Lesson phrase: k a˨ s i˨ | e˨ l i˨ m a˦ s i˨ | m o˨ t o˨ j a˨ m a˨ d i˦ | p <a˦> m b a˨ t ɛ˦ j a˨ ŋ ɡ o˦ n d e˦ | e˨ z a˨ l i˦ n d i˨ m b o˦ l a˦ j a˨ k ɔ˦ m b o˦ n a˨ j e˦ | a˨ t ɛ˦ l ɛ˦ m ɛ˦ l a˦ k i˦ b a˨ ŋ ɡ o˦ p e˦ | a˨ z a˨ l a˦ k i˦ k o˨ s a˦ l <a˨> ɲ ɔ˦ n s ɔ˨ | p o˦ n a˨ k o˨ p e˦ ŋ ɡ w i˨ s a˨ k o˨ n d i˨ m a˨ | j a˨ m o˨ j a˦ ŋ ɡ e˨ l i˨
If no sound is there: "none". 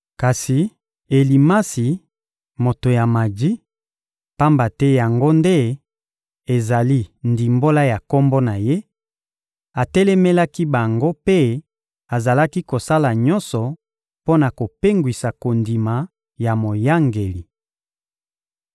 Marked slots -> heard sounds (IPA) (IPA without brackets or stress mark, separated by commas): a˦, a˨